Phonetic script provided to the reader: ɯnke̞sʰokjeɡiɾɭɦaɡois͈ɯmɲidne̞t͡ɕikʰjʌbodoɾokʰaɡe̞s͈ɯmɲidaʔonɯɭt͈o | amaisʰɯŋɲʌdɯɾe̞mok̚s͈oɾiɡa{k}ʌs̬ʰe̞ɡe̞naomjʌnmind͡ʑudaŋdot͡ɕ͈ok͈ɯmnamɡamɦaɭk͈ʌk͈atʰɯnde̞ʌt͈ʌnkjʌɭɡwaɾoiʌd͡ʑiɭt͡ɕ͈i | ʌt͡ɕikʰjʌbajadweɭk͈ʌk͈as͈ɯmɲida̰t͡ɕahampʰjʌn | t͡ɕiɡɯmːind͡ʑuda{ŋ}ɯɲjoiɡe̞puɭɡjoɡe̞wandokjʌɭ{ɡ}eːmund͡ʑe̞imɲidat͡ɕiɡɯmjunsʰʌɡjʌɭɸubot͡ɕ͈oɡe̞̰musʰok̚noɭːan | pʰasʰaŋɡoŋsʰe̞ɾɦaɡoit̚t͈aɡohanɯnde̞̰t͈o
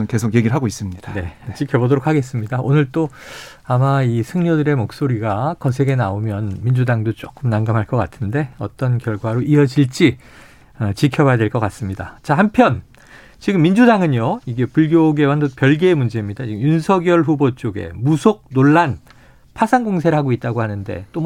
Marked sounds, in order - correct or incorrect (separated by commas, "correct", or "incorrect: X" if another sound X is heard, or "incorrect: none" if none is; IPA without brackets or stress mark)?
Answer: correct, correct, correct